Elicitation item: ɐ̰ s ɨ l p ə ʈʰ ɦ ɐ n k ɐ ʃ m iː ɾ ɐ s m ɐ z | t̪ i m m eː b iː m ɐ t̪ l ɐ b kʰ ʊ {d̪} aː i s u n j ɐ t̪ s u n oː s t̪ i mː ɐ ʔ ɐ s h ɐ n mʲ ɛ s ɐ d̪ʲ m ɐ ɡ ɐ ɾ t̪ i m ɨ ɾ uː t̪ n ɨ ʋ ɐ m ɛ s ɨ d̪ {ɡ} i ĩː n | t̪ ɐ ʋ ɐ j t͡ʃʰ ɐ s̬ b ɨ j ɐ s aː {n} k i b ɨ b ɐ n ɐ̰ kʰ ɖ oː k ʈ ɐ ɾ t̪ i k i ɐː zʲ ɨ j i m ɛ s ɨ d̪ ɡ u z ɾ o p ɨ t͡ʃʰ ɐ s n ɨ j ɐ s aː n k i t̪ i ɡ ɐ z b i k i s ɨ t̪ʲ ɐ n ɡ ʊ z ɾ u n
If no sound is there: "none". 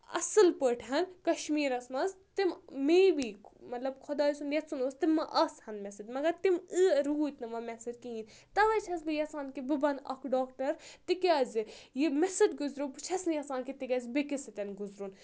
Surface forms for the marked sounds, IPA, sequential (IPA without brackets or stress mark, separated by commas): d̪, k, n